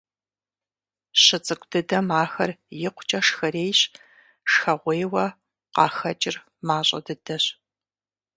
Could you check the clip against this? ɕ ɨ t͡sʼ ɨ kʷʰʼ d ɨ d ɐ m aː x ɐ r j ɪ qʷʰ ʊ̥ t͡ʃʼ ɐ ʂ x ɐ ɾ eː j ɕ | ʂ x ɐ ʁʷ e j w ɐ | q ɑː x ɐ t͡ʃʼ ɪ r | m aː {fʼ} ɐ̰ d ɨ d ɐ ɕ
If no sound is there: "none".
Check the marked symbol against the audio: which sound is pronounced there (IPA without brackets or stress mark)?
ɕʼ